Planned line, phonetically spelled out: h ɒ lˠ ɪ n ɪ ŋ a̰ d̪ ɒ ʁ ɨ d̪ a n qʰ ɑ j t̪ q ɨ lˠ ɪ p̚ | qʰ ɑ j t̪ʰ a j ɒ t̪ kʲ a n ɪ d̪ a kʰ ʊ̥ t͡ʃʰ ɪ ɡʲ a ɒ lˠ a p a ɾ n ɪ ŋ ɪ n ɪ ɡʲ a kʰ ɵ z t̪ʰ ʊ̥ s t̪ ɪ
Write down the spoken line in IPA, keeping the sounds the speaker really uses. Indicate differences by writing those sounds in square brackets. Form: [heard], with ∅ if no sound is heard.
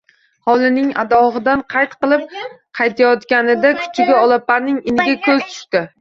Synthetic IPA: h ɒ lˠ ɪ n ɪ ŋ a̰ d̪ ɒ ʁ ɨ d̪ a n qʰ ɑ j t̪ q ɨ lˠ ɪ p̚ | qʰ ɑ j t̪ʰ a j ɒ t̪ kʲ a n ɪ d̪ a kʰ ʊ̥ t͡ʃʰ ɪ ɡʲ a ɒ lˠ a p a ɾ n ɪ ŋ ɪ n ɪ ɡʲ a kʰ ɵ z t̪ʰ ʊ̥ [ʃ] t̪ ɪ